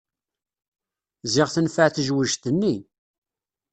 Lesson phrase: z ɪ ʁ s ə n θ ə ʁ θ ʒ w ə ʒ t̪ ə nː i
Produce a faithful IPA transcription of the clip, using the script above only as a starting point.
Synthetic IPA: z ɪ ʁ θ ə n f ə ʕ θ ʒ w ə ʒ t̪ ə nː i